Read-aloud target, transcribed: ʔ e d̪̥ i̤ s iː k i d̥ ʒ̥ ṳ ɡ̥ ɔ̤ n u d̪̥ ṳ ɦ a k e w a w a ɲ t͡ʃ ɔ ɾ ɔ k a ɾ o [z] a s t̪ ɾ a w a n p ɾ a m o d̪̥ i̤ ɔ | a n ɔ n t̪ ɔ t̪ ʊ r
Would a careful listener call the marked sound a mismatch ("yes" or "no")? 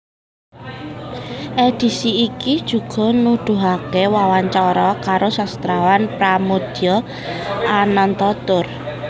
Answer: yes